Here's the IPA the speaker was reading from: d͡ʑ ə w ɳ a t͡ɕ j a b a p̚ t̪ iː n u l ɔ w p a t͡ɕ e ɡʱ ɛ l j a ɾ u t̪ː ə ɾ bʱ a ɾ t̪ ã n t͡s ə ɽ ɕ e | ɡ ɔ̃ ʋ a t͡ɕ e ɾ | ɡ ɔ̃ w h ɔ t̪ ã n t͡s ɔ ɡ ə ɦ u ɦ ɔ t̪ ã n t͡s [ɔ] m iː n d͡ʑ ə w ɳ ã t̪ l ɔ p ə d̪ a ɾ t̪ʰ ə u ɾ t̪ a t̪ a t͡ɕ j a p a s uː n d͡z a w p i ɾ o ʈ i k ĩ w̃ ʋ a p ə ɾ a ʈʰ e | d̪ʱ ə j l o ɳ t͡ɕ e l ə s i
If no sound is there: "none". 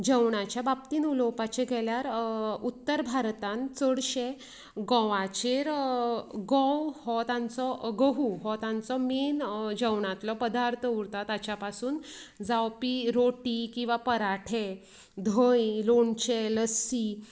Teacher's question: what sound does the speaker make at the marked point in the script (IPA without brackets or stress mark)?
ɔ